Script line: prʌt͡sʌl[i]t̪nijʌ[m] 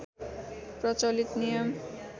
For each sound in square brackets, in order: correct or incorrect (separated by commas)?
correct, correct